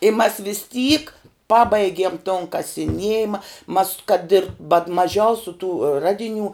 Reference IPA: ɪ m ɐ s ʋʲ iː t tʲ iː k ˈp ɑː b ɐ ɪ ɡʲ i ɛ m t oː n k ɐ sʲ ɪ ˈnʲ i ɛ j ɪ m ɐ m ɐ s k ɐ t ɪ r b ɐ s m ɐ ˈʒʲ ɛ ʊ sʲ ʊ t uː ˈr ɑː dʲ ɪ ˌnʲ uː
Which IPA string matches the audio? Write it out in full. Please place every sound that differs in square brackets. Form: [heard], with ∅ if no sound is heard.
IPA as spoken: ɪ m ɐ s ʋʲ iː [s] tʲ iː k ˈp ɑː b ɐ ɪ ɡʲ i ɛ m t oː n k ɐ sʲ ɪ ˈnʲ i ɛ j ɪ m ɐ m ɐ s k ɐ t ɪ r b ɐ [t] m ɐ ˈʒʲ ɛ ʊ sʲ ʊ t uː ˈr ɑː dʲ ɪ ˌnʲ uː